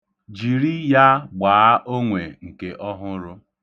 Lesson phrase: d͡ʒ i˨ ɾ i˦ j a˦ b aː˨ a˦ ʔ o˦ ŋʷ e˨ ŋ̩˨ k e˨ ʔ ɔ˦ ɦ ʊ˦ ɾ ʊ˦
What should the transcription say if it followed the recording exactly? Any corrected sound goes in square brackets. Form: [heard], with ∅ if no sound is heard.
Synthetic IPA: d͡ʒ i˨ ɾ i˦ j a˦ [ɡ͡b] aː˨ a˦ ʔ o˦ ŋʷ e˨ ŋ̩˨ k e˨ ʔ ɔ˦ ɦ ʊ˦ ɾ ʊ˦